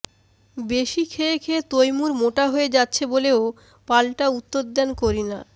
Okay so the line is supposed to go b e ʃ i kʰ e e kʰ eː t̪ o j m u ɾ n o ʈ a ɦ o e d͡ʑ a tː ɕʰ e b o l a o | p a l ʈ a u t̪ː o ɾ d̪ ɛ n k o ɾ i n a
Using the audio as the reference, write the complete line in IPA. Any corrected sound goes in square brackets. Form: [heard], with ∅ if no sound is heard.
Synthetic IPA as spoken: b e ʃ i kʰ e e kʰ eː t̪ o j m u ɾ [m] o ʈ a ɦ o e d͡ʑ a tː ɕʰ e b o l [e] o | p a l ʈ a u t̪ː o ɾ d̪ ɛ n k o ɾ i n a